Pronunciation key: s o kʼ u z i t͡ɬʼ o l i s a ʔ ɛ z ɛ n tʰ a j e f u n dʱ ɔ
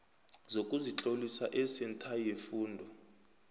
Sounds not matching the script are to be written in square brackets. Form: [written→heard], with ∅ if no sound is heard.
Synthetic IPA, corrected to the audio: [s→z] o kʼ u z i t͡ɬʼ o l i s a ʔ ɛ [z→s] ɛ n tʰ a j e f [u→uː] n dʱ ɔ